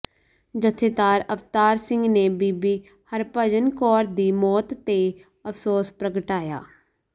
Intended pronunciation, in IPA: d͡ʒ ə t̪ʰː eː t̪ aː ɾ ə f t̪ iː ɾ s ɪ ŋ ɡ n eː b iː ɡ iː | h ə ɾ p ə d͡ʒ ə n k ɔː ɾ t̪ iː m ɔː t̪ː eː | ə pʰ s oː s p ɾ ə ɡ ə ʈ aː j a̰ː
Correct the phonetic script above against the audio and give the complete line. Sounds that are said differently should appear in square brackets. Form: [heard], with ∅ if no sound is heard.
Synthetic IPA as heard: d͡ʒ ə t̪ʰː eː t̪ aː ɾ ə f t̪ [aː] ɾ s ɪ ŋ ɡ n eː b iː [b] iː | h ə ɾ p ə d͡ʒ ə n k ɔː ɾ [d̪] iː m ɔː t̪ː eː | ə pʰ s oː s p ɾ ə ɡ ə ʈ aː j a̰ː